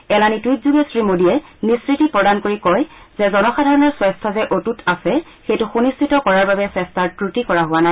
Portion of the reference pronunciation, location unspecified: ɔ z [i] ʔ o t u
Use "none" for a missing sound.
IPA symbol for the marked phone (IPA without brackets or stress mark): ɛ